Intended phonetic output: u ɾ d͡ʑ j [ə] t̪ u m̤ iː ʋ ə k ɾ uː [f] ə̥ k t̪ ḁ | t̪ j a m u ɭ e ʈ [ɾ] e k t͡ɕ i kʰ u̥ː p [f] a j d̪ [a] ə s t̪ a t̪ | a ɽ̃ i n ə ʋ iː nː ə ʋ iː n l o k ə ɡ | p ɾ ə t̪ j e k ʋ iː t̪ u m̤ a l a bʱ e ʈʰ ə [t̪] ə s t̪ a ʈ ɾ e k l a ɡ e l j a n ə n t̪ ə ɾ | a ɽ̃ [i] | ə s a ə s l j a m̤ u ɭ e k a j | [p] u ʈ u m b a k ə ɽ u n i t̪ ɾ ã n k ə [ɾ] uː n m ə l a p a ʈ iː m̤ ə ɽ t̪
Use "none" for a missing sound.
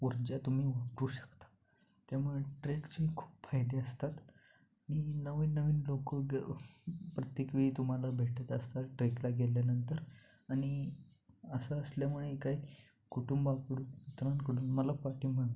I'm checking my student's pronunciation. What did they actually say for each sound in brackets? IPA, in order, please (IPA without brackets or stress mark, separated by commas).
a, ɕ, ɾ, f, e, t̪, i, k, ɽ